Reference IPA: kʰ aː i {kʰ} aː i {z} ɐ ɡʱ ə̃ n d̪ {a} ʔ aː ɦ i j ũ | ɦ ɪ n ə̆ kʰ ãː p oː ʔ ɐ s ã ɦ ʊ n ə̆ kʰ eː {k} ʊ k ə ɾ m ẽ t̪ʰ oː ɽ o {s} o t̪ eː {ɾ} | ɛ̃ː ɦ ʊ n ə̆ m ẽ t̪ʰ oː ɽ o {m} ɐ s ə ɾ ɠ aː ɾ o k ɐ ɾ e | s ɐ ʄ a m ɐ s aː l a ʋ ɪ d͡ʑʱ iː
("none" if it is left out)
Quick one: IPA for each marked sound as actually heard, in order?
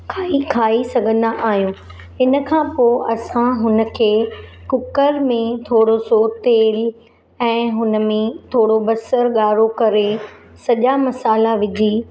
kʰ, s, a, k, s, l, b

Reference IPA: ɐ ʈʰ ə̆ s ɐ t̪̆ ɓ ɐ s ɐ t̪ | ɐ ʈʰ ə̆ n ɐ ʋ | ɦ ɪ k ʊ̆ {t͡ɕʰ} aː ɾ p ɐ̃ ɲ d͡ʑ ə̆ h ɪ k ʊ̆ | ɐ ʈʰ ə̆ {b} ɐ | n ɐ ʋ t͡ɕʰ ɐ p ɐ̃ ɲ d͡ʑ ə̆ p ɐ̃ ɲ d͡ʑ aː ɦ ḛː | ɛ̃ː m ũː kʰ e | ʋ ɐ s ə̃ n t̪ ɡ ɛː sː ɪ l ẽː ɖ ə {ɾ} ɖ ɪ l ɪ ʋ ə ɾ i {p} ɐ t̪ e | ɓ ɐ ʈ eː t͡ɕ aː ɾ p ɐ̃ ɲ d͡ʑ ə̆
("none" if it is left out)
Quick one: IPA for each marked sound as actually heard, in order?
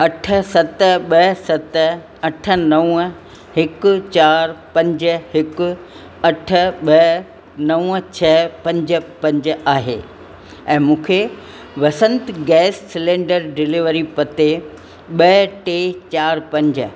t͡ɕ, ɓ, ɾ, p

